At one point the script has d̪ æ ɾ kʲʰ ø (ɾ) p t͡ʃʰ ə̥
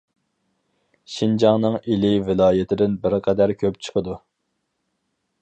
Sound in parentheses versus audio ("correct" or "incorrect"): incorrect